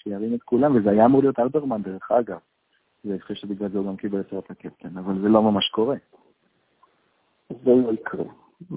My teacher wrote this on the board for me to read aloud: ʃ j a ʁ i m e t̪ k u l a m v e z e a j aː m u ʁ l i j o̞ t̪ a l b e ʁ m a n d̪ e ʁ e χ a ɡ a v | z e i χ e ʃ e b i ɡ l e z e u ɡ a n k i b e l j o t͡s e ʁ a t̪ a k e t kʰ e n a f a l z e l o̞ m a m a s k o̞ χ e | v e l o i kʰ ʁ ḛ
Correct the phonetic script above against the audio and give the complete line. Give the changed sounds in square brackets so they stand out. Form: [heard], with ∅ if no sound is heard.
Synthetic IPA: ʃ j a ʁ i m e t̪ k u l a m v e z e a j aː m u ʁ l i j o̞ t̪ a l b e ʁ m a n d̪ e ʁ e χ a ɡ a v | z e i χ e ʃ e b i ɡ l [a] z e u ɡ a [m] k i b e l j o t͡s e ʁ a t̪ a k e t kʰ e n a [v] a l z e l o̞ m a m a [ʃ] k o̞ [ʁ] e | [z] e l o i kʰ ʁ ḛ